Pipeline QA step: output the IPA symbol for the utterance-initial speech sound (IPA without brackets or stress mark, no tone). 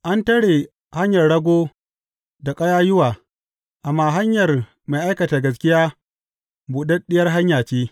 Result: ʔ